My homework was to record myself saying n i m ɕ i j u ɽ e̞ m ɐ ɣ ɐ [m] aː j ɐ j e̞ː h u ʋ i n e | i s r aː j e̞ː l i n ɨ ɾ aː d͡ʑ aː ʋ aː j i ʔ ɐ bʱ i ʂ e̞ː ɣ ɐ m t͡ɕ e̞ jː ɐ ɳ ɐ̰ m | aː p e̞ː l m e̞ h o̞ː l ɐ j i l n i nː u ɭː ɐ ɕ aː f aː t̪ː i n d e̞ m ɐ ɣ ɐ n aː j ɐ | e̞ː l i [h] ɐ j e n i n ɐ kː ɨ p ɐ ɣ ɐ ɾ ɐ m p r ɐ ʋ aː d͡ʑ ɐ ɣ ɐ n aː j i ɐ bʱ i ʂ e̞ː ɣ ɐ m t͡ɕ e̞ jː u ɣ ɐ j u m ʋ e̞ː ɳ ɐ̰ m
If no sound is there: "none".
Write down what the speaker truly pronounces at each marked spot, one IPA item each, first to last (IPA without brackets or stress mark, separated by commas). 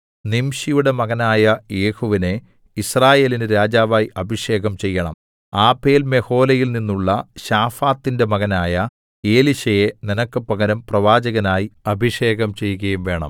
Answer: n, ɕ